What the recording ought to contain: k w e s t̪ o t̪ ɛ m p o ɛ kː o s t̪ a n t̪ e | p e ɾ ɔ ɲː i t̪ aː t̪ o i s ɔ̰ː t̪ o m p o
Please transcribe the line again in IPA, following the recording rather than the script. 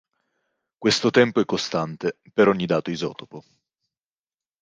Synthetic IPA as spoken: k w e s t̪ o t̪ ɛ m p o ɛ kː o s t̪ a n t̪ e | p e ɾ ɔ ɲː i d̪ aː t̪ o i z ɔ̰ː t̪ o p o